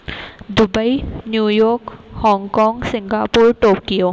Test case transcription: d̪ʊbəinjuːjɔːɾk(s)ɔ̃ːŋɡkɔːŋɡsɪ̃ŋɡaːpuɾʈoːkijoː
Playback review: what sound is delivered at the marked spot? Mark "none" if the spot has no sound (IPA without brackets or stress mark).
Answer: h